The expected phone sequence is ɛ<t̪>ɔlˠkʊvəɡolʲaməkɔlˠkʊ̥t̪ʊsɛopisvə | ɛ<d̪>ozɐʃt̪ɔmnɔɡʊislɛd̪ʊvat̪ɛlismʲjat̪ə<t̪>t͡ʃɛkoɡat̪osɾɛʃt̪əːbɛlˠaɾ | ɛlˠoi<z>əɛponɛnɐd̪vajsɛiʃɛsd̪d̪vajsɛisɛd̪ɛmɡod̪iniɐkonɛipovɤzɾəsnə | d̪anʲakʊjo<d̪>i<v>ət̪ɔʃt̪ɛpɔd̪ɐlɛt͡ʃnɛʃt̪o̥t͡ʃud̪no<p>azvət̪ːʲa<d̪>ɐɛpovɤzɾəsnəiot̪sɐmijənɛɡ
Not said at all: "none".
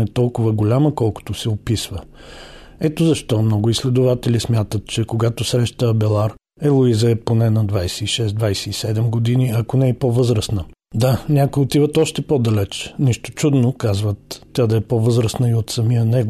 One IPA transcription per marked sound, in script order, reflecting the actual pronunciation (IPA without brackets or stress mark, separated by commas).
t̪, t̪, t̪, z, t̪, v, k, d̪